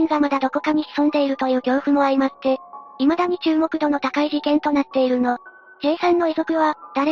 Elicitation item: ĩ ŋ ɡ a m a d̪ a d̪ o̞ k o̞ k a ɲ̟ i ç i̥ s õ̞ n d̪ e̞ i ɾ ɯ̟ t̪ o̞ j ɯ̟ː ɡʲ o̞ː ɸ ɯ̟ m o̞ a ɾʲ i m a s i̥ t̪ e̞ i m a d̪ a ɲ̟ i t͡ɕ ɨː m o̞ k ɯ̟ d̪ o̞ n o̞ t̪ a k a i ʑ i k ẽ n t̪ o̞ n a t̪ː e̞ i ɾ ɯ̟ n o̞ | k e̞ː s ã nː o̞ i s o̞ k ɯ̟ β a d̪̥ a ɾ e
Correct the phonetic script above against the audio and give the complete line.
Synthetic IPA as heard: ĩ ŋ ɡ a m a d̪ a d̪ o̞ k o̞ k a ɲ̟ i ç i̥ s õ̞ n d̪ e̞ i ɾ ɯ̟ t̪ o̞ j ɯ̟ː ɡʲ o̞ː ɸ ɯ̟ m o̞ a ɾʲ i m a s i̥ t̪ e̞ i m a d̪ a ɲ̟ i t͡ɕ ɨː m o̞ k ɯ̟ d̪ o̞ n o̞ t̪ a k a i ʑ i k ẽ n t̪ o̞ n a t̪ː e̞ i ɾ ɯ̟ n o̞ | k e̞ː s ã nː o̞ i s o̞ k ɯ̟ β a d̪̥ a ɾ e